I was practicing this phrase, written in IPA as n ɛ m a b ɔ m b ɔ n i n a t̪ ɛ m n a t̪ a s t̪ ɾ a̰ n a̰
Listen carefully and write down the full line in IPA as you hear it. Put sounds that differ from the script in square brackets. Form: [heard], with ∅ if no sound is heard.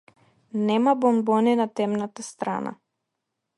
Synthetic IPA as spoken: n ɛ m a b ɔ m b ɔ n i n a t̪ ɛ m n a t̪ a s t̪ ɾ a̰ n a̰